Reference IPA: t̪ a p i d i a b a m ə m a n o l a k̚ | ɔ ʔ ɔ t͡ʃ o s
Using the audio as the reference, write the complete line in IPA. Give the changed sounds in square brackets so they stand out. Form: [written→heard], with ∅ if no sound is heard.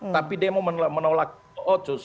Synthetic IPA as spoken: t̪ a p i d i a [b→m] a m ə m [a→ə] n o l a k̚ | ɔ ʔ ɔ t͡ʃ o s